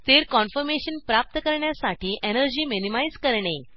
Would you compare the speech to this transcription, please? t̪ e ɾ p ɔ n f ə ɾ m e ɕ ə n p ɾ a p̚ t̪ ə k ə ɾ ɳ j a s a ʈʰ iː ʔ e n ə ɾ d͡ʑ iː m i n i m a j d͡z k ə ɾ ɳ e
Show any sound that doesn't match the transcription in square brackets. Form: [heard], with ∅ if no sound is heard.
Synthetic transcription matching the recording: t̪ e ɾ [k] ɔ n f ə ɾ m e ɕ ə n p ɾ a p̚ t̪ ə k ə ɾ ɳ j a s a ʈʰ iː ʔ e n ə ɾ d͡ʑ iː m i n i m a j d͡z k ə ɾ ɳ e